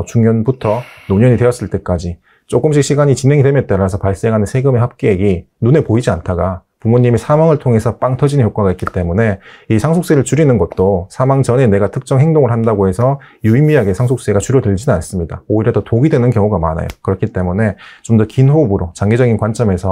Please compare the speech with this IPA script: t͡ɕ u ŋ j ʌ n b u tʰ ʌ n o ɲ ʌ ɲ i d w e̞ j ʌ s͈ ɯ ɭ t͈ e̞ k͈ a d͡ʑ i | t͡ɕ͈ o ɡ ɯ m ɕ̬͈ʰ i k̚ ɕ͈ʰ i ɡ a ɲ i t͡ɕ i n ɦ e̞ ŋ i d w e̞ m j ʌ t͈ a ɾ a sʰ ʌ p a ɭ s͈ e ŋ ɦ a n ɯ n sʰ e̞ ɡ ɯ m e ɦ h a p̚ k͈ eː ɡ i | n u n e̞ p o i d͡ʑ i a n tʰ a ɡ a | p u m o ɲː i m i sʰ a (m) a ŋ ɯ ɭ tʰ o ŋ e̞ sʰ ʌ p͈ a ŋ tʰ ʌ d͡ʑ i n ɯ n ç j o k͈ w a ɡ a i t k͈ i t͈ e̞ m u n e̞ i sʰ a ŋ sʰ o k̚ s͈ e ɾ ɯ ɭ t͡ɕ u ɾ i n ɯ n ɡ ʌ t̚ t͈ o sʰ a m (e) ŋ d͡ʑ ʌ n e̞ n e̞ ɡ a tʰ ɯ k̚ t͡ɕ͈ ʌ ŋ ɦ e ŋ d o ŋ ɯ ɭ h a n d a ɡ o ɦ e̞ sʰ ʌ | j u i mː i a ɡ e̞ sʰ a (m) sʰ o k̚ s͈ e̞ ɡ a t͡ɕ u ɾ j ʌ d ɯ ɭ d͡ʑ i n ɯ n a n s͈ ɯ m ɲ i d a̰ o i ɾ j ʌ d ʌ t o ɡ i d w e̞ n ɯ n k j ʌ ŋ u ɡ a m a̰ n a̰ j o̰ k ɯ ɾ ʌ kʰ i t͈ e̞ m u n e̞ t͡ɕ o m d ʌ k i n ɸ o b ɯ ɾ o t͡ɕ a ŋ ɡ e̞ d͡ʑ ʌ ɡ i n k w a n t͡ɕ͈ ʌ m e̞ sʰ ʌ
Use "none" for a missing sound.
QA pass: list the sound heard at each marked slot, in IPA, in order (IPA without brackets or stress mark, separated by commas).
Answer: m, a, ŋ